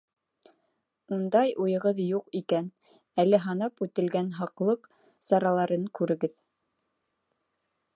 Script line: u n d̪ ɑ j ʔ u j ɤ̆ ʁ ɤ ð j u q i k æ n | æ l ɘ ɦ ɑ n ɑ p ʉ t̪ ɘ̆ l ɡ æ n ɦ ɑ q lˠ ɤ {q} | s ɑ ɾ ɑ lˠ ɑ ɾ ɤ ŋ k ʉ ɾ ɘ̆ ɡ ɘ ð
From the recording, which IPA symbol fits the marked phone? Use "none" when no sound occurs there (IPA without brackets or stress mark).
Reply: q